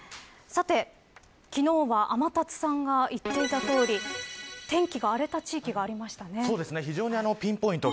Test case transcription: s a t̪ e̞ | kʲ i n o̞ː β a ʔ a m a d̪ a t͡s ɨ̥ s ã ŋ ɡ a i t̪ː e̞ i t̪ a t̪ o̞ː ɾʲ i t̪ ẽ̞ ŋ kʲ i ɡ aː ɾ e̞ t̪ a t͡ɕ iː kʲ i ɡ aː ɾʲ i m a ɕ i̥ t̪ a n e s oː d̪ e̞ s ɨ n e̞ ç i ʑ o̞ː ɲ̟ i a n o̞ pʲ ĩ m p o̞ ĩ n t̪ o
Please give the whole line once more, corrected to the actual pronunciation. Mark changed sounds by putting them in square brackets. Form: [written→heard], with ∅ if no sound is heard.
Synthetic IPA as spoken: s a t̪ e̞ | kʲ i n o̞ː β a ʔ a m a [d̪→t̪] a t͡s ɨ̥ s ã ŋ ɡ a i t̪ː e̞ i t̪ a t̪ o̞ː ɾʲ i t̪ ẽ̞ ŋ kʲ i ɡ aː ɾ e̞ t̪ a t͡ɕ iː kʲ i ɡ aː ɾʲ i m a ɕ i̥ t̪ a n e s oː d̪ e̞ s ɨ n e̞ ç i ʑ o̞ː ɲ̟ i a n o̞ pʲ ĩ m p o̞ ĩ n t̪ o